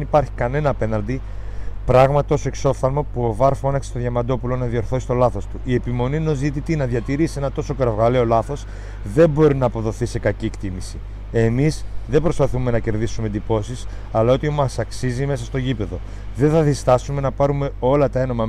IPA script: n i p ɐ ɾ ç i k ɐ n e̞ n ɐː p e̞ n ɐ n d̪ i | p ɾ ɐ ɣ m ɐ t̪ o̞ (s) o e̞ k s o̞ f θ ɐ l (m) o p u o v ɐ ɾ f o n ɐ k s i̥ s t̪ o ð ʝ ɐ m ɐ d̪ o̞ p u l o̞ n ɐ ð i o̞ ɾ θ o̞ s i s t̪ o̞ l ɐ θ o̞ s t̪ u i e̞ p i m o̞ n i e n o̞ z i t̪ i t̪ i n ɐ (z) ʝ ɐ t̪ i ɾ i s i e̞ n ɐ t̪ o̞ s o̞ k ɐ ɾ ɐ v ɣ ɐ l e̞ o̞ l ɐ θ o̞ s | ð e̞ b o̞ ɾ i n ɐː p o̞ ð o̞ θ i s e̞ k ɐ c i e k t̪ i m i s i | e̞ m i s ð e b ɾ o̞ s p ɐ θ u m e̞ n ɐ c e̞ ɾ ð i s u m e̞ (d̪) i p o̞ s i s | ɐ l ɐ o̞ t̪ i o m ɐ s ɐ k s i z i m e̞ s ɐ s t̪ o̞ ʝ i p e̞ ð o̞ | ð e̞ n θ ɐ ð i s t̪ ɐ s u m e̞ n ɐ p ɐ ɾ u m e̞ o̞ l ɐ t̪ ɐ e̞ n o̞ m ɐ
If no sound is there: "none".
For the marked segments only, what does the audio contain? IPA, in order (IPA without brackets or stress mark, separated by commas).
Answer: s, m, ð, d̪